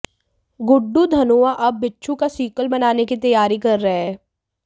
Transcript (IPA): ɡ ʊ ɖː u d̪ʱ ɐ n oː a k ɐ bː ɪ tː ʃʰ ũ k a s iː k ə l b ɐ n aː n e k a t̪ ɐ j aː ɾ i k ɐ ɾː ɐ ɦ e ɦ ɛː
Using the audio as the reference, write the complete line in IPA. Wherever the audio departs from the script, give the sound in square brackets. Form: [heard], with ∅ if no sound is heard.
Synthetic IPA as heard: ɡ ʊ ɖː u d̪ʱ ɐ n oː a [ʔ] ɐ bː ɪ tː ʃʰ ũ k a s iː k ə l b ɐ n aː n e k [i] t̪ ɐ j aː ɾ i k ɐ ɾː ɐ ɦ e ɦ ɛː